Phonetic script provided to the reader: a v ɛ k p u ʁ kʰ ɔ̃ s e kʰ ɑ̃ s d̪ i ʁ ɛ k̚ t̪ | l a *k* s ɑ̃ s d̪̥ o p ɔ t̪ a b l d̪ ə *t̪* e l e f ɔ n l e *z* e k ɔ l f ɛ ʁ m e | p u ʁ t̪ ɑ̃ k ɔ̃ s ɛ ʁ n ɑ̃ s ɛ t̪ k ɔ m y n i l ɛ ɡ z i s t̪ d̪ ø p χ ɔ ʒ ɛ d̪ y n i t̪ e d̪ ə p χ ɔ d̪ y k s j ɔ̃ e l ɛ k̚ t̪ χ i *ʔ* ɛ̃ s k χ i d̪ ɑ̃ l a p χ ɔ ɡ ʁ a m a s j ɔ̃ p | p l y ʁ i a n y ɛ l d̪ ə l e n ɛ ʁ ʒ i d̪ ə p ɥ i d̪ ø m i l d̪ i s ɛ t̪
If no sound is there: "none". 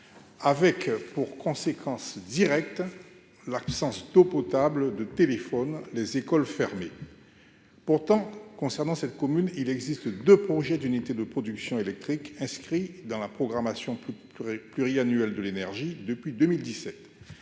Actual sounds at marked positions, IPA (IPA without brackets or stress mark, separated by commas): p, t̪, z, k